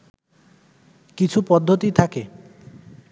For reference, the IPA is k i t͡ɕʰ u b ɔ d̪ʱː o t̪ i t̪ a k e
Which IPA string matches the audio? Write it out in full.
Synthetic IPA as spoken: k i t͡ɕʰ u p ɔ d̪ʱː o t̪ i t̪ʰ a k e